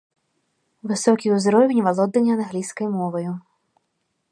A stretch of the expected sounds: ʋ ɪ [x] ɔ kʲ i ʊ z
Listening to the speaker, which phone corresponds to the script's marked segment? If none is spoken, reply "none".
s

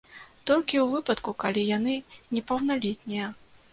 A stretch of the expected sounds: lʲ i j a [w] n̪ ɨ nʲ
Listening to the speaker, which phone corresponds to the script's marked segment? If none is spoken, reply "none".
none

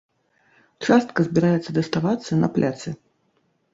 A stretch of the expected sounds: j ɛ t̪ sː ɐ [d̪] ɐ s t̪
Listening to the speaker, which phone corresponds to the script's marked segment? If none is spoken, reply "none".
d̪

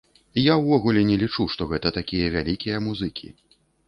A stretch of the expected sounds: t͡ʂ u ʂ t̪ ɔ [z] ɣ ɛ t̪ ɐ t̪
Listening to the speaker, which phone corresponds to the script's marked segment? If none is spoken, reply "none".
none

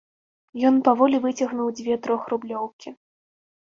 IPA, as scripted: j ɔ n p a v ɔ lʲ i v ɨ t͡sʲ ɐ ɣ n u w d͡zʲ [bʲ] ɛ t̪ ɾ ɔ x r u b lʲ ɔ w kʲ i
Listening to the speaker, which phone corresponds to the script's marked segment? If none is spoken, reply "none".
vʲ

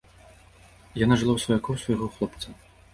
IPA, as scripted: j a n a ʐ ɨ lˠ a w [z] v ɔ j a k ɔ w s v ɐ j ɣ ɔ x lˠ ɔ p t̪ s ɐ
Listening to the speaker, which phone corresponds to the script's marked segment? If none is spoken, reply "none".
s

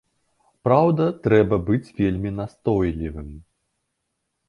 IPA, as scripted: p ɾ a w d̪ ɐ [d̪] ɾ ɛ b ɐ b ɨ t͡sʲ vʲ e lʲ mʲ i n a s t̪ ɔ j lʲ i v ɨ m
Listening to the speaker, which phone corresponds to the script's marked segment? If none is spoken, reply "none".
t̪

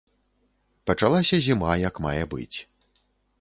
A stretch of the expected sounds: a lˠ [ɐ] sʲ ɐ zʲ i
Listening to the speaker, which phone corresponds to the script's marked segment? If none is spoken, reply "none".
a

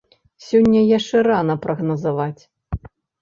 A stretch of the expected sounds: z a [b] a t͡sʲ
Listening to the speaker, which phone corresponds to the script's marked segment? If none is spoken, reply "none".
v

